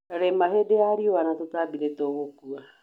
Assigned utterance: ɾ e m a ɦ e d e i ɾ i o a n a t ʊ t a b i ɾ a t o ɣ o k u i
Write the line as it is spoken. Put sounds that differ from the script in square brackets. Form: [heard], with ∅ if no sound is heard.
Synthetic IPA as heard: ɾ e m a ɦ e d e [a] ɾ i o a n a t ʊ t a b i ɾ [e] t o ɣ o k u [a]